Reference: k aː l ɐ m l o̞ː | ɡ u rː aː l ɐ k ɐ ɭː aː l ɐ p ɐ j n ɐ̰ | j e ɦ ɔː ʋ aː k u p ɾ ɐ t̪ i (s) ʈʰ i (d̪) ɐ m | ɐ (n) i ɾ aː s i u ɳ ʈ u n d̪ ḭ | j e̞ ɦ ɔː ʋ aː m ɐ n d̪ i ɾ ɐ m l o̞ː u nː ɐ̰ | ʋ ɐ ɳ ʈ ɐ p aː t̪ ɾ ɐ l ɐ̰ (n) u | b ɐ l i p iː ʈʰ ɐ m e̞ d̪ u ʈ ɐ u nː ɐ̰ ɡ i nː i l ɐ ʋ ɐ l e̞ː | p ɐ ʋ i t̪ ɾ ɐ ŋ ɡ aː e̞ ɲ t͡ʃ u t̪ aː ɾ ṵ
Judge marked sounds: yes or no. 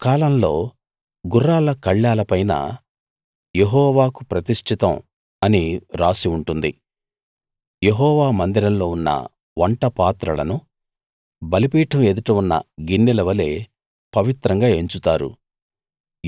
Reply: no, no, yes, yes

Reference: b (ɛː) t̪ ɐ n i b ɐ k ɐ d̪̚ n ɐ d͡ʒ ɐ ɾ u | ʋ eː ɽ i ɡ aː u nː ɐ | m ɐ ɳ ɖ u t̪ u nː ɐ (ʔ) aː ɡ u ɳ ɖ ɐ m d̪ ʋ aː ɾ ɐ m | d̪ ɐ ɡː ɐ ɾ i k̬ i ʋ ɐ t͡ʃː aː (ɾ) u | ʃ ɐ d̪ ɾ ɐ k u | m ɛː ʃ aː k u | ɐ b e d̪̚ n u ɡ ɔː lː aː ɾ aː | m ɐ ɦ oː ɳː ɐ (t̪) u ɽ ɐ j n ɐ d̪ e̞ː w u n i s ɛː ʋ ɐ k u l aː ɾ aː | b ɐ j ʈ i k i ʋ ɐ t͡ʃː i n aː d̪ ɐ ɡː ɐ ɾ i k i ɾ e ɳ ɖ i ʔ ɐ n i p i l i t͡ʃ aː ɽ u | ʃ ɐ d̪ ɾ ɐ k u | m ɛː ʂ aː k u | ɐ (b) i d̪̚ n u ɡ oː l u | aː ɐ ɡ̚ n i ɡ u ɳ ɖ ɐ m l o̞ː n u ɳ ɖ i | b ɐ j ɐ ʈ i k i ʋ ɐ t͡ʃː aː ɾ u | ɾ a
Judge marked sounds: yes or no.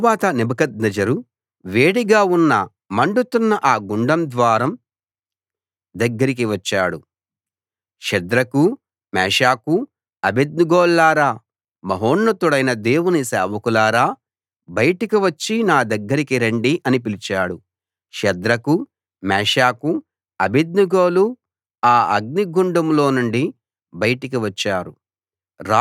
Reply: no, yes, no, yes, yes

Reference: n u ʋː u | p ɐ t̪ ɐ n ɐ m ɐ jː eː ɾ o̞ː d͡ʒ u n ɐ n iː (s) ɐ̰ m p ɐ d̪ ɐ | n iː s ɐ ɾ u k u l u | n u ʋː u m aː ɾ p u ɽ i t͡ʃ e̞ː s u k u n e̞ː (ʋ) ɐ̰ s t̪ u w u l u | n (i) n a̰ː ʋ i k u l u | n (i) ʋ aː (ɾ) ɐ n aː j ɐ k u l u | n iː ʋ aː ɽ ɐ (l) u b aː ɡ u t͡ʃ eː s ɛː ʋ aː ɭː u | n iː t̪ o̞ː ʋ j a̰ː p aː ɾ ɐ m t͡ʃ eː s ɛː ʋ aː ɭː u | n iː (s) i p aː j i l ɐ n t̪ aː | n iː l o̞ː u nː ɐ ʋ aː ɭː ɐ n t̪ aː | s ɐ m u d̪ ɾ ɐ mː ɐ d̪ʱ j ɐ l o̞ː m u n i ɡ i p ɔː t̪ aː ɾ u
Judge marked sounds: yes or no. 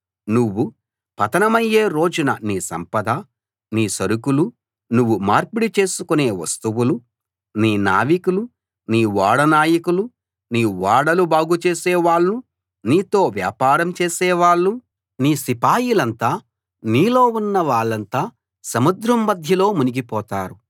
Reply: yes, yes, no, no, no, yes, yes

